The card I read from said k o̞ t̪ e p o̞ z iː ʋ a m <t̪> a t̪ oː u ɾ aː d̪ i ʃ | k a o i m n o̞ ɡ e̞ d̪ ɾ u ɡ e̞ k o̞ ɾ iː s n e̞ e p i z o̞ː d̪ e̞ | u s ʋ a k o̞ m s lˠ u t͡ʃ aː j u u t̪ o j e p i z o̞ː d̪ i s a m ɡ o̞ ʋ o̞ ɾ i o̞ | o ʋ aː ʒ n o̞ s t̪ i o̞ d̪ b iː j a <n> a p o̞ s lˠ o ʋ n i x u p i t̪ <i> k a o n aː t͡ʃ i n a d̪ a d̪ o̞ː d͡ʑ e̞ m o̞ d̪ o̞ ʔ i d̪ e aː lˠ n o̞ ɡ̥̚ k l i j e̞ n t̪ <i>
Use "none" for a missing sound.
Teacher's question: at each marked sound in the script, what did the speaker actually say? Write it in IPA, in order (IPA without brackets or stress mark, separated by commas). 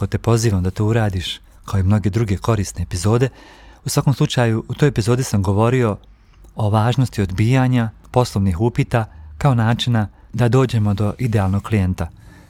d̪, ɲ, a, a